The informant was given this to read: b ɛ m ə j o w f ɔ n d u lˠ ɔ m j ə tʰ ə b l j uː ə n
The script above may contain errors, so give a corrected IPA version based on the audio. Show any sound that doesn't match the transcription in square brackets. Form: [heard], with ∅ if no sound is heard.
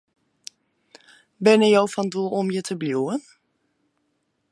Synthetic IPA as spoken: b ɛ [n] ə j o w f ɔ n d u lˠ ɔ m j ə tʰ ə b l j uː ə n